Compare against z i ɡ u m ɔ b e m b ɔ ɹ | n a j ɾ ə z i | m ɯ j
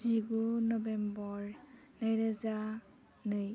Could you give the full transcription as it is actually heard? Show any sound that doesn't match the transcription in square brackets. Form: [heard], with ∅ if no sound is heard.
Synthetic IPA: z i ɡ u [n] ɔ b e m b ɔ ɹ | n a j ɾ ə z [a] | [n] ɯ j